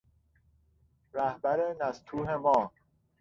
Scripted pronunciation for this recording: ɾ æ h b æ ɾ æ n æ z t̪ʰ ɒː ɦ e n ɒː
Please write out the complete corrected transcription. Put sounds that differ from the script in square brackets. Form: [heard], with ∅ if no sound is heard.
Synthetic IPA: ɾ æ h b æ ɾ [e] n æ [s] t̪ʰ [uː] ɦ e [m] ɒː